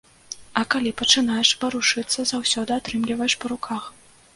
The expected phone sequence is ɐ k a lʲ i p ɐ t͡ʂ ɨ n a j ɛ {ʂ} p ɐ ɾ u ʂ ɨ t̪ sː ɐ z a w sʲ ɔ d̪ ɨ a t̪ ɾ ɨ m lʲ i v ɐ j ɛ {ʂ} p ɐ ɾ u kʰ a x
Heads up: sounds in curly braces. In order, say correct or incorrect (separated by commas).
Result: correct, correct